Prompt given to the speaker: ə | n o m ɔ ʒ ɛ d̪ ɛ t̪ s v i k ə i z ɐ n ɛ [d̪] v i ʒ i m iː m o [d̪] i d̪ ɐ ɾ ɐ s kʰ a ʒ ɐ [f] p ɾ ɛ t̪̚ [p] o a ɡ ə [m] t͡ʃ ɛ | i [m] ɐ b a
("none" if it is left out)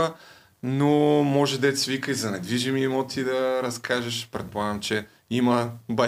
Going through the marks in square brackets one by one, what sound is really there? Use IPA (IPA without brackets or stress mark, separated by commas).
d̪, t̪, ʃ, p, m, m